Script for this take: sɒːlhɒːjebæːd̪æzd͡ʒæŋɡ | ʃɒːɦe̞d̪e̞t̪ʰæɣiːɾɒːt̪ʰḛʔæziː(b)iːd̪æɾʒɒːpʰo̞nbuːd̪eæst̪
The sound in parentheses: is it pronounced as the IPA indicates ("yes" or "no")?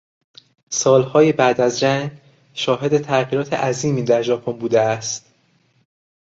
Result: no